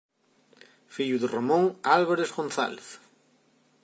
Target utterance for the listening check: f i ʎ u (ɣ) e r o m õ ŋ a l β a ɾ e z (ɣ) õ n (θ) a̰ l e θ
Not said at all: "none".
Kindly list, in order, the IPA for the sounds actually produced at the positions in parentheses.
ð, ɣ, θ

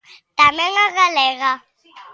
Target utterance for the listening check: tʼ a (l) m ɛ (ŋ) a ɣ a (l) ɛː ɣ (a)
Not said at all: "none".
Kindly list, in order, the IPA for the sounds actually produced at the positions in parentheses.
none, ŋ, l, a

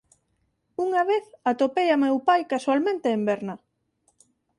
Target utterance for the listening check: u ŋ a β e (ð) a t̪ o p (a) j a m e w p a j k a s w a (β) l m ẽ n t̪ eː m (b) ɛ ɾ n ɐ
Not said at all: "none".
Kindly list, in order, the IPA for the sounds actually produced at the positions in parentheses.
θ, e, none, b

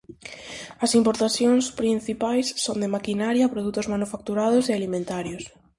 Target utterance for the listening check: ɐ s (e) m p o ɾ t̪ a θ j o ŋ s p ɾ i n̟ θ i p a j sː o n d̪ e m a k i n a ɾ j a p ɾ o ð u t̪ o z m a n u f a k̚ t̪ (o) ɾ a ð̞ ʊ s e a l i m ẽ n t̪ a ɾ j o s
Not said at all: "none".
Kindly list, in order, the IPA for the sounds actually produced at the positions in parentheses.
i, u

